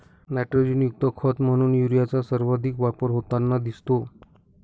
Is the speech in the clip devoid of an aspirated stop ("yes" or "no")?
no